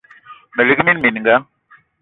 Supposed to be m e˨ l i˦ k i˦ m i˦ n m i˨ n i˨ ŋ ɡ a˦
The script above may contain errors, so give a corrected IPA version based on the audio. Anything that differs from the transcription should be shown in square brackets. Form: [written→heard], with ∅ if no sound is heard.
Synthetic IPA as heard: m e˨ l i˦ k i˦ m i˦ n m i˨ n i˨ ŋ ɡ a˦